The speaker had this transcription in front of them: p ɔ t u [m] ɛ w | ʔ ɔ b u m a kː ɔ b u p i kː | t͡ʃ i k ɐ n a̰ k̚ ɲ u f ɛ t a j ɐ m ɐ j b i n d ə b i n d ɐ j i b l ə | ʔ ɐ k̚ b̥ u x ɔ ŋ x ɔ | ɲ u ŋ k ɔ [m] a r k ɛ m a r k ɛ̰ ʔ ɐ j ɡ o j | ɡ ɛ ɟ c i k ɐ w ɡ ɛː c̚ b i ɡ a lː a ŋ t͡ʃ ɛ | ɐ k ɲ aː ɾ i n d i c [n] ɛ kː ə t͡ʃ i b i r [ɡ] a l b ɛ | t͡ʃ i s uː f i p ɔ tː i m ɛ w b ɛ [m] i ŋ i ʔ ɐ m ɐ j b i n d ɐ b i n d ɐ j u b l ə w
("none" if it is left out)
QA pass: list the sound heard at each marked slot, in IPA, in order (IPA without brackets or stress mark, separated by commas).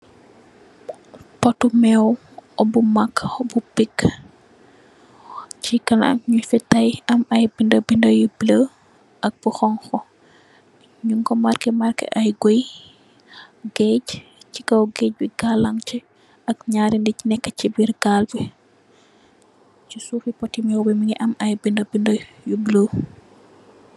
m, m, n, ɡ, m